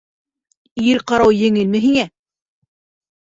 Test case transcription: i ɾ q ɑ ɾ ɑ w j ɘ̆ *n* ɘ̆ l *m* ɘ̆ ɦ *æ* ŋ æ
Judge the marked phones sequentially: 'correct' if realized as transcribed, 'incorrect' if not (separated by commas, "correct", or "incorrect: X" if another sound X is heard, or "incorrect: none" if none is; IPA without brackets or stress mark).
incorrect: ŋ, correct, incorrect: i